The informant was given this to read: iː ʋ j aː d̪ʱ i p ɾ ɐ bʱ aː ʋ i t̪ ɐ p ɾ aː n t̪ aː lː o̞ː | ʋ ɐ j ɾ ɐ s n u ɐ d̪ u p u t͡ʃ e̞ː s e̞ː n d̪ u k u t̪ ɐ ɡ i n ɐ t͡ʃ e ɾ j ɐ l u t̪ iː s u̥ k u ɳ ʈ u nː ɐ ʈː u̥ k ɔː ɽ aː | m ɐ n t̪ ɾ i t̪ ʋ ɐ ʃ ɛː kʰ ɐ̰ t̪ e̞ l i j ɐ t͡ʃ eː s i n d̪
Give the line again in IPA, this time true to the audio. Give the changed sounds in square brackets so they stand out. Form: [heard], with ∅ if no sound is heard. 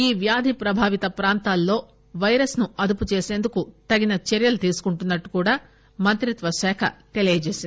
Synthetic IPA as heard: iː ʋ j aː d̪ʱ i p ɾ ɐ bʱ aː ʋ i t̪ ɐ p ɾ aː n t̪ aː lː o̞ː | ʋ ɐ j ɾ ɐ s n u ɐ d̪ u p u t͡ʃ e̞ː s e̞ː n d̪ u k u t̪ ɐ ɡ i n ɐ t͡ʃ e ɾ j ɐ l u t̪ iː s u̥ k u ɳ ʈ u nː ɐ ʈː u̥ k [uː] ɽ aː | m ɐ n t̪ ɾ i t̪ ʋ ɐ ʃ ɛː kʰ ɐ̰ t̪ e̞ l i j ɐ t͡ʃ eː s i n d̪